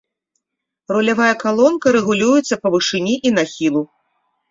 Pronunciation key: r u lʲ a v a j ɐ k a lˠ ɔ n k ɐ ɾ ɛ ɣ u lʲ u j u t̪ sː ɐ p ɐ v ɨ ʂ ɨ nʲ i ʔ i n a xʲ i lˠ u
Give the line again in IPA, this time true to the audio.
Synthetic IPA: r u lʲ a v a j ɐ k a lˠ ɔ n k ɐ ɾ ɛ ɣ u lʲ u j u t̪ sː ɐ p ɐ v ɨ ʂ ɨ nʲ i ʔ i n a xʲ i lˠ u